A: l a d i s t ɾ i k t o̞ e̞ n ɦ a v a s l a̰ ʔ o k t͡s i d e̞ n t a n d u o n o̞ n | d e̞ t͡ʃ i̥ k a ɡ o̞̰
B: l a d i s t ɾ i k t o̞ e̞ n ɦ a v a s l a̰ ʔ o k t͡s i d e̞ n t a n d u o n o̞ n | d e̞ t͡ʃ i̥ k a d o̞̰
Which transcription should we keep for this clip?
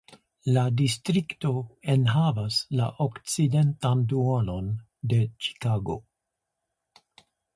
A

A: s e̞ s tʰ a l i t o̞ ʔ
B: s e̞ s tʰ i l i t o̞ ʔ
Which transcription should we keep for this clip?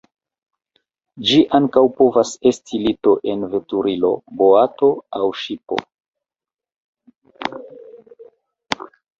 B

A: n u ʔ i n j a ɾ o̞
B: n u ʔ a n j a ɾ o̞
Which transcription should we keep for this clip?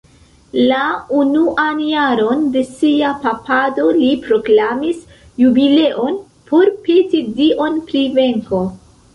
B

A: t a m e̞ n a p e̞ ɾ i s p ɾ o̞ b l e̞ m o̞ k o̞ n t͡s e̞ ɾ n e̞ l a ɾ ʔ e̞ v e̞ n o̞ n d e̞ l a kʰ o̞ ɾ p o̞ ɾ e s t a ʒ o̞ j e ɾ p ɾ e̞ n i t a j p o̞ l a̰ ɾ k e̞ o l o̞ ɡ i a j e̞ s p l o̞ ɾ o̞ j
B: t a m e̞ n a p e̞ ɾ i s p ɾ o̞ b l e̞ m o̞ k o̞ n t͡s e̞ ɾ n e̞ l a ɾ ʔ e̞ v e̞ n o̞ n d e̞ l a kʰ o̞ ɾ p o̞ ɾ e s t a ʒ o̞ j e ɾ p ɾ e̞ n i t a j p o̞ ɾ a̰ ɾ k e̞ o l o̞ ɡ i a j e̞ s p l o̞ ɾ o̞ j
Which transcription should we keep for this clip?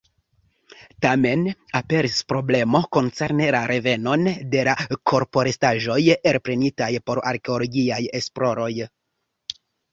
B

